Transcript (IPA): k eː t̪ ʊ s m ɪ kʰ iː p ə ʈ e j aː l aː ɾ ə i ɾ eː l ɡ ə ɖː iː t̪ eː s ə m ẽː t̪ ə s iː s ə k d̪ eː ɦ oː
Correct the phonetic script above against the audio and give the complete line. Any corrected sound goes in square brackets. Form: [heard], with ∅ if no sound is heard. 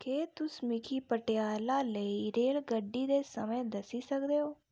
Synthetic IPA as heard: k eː t̪ ʊ s m ɪ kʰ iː p ə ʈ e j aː l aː [l] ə i ɾ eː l ɡ ə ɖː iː [d̪] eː s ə m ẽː [d̪] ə s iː s ə k d̪ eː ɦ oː